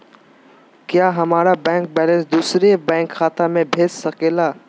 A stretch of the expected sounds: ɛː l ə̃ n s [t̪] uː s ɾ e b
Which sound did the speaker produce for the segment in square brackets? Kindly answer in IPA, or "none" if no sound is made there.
d̪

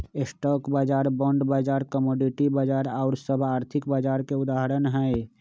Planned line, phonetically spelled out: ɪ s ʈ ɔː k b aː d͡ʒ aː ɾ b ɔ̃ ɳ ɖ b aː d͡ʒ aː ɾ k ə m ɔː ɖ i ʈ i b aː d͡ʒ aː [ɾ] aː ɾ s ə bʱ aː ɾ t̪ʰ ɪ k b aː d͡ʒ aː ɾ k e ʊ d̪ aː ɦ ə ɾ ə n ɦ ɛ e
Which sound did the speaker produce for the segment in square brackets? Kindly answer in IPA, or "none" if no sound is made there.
ɾ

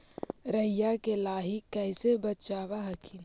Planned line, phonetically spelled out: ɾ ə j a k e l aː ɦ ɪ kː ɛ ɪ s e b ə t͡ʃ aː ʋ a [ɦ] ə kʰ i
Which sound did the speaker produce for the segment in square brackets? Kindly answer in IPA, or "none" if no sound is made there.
ɦ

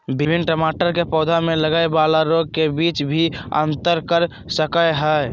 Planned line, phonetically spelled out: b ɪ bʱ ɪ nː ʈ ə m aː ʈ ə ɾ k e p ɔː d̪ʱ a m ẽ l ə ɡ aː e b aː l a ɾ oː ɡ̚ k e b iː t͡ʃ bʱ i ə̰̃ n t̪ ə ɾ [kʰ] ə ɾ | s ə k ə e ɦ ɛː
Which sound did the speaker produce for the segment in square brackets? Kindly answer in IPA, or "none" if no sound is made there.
k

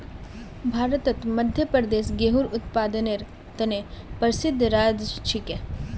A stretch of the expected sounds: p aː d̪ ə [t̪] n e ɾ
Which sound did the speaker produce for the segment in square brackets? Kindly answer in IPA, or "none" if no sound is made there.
none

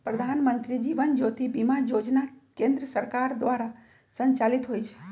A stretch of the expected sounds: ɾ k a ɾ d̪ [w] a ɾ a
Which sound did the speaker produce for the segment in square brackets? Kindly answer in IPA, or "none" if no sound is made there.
ʋ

